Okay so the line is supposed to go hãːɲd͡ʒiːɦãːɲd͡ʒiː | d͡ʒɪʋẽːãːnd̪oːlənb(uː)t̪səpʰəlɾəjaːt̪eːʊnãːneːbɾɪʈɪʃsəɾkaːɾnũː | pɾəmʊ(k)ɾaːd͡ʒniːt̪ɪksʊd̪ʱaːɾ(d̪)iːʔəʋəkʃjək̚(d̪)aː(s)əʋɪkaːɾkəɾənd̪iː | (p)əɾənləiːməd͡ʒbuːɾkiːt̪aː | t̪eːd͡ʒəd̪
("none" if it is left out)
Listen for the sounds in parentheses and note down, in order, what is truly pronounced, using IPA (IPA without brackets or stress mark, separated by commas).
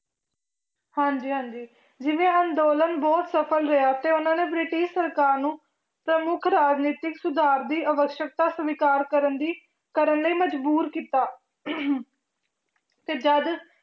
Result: ɔː, kʰ, d̪, t̪, s, k